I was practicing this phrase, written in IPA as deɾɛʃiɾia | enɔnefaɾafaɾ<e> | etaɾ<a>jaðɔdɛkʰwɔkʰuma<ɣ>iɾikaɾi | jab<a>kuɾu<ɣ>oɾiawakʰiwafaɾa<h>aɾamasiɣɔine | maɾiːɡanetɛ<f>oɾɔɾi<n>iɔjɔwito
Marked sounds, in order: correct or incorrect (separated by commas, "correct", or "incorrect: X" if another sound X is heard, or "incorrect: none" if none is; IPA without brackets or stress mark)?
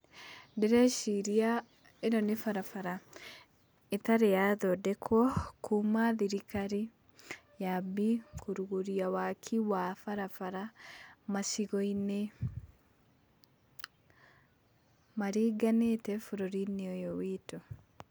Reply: incorrect: a, incorrect: e, incorrect: ð, incorrect: i, correct, incorrect: f, correct, correct